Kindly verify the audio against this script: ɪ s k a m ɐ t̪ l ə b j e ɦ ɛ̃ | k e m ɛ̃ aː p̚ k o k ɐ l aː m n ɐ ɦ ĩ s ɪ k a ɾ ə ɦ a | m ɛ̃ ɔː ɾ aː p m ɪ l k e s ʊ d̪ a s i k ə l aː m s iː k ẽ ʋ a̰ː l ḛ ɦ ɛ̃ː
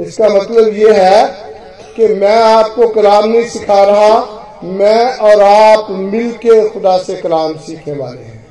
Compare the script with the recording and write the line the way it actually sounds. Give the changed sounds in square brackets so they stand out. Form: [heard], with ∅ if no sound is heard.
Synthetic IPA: ɪ s k a m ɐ t̪ l ə b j e ɦ [ɛ] | k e m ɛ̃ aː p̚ k o k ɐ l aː m n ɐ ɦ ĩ s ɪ [kʰ] a ɾ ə ɦ a | m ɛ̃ ɔː ɾ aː p m ɪ l k e [x] ʊ d̪ a s [e] k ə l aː m s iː [kʰ] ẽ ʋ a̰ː l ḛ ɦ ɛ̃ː